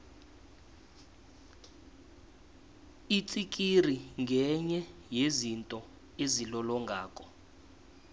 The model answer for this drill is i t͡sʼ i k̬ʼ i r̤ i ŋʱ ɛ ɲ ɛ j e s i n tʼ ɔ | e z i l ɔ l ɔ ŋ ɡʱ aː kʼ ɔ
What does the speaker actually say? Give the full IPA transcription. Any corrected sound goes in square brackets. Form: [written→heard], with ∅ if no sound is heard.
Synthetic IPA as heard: i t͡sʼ i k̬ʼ i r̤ i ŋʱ ɛ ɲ ɛ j e [s→z] i n tʼ ɔ | e z i l ɔ l ɔ ŋ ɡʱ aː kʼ ɔ